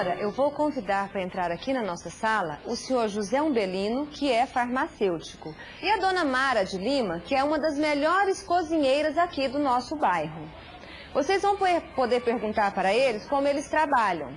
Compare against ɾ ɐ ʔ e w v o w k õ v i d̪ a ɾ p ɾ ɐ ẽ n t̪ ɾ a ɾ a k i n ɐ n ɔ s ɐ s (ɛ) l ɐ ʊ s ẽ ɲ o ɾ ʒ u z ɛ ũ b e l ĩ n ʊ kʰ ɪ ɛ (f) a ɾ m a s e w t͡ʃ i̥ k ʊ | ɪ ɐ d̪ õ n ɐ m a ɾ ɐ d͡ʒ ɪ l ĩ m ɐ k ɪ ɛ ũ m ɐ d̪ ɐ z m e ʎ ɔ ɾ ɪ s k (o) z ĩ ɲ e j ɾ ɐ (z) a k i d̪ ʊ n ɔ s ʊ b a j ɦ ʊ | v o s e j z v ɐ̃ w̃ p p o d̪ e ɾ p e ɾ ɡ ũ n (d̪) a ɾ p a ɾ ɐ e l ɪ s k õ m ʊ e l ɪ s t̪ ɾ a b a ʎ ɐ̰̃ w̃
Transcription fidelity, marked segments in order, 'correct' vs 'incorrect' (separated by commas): incorrect, correct, correct, correct, incorrect